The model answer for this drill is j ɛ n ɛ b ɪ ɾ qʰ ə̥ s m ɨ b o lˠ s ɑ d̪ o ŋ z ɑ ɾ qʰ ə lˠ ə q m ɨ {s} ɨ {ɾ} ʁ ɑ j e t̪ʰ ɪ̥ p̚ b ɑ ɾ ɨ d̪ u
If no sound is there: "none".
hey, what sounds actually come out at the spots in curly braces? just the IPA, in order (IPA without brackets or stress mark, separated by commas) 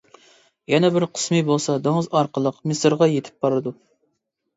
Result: s, ɾ